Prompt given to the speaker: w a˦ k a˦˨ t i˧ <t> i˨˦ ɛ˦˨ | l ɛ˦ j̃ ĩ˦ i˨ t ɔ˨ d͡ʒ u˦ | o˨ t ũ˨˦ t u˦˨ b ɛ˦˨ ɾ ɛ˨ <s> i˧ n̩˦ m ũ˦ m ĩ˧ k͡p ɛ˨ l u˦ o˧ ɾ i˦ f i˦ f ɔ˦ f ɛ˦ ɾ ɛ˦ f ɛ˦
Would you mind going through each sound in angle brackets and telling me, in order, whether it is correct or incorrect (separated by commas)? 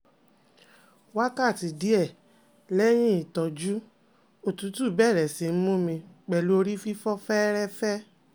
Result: incorrect, correct